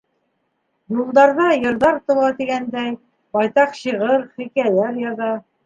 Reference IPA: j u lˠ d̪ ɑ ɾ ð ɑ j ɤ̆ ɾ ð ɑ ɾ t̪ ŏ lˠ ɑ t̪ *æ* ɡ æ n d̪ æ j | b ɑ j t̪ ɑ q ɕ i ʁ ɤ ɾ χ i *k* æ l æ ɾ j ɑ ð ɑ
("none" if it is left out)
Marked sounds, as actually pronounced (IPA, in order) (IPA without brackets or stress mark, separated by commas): i, k